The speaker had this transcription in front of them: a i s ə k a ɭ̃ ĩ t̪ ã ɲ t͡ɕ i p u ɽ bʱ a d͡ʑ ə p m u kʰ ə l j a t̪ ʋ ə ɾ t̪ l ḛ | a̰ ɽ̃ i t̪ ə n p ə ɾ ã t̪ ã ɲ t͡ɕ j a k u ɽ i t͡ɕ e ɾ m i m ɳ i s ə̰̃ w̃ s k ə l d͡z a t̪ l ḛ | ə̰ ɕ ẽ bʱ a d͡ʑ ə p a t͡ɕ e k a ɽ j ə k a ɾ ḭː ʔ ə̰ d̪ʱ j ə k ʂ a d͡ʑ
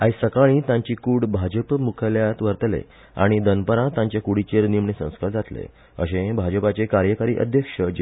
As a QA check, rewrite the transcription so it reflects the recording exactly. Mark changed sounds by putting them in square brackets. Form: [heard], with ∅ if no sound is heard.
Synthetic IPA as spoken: a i s ə k a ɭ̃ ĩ t̪ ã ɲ t͡ɕ i [k] u ɽ bʱ a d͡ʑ ə p m u kʰ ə l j a t̪ ʋ ə ɾ t̪ l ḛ | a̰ ɽ̃ i [d̪] ə n p ə ɾ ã t̪ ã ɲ t͡ɕ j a k u ɽ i t͡ɕ e ɾ [n] i m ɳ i s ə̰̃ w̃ s k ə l d͡z a t̪ l ḛ | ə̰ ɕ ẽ bʱ a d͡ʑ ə p a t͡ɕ e k a [ɾ] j ə k a ɾ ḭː ʔ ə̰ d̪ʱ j ə k ʂ [ə] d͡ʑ